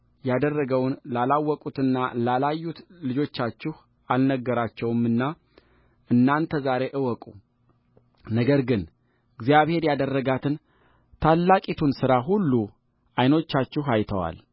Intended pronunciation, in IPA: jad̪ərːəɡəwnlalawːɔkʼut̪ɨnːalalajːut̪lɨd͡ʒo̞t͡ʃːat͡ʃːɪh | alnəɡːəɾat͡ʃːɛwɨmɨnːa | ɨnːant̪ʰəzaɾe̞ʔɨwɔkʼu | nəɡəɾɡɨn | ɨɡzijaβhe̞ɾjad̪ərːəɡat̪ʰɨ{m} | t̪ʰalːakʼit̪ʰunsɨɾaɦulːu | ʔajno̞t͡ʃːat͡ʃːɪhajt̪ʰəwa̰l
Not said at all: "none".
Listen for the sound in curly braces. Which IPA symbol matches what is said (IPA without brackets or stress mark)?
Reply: n